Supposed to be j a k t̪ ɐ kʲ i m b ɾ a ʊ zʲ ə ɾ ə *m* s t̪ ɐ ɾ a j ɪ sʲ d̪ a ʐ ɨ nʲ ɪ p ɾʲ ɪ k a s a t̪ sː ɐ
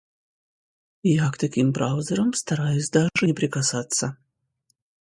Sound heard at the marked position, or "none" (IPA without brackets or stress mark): m